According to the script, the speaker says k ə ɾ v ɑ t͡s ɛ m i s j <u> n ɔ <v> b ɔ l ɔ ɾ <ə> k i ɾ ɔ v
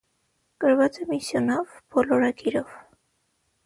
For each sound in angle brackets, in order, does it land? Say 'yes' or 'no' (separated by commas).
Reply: no, yes, no